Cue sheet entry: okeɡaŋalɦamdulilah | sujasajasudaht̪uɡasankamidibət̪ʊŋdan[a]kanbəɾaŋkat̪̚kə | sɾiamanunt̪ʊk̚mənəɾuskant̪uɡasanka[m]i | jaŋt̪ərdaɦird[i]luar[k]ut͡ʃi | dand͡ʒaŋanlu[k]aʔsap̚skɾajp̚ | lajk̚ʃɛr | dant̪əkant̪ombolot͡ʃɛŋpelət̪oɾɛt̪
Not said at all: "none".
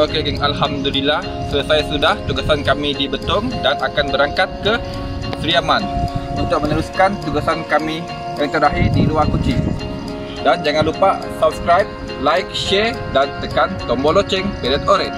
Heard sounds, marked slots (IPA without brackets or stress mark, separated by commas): a, m, i, k, p